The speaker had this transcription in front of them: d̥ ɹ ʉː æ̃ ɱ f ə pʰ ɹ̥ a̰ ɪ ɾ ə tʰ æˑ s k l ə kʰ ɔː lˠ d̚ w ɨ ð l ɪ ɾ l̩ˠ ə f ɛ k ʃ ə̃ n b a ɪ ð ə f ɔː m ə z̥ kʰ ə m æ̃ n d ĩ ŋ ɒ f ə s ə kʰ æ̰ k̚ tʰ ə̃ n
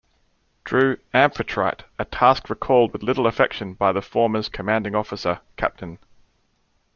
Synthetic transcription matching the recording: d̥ ɹ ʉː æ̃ ɱ f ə tʰ ɹ̥ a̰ ɪ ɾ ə tʰ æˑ s k ɹ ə kʰ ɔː lˠ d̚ w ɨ ð l ɪ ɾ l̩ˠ ə f ɛ k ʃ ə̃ n b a ɪ ð ə f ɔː m ə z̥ kʰ ə m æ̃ n d ɪ̃ ŋ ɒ f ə s ə kʰ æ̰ p̚ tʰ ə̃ n